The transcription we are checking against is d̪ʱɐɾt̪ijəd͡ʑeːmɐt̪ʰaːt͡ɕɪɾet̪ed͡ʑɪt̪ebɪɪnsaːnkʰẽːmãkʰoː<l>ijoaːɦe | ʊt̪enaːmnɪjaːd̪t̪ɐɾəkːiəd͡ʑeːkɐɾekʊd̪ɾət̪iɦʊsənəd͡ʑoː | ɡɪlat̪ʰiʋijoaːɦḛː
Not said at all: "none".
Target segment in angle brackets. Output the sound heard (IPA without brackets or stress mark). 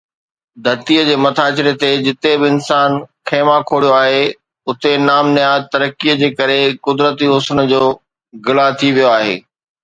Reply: ɽ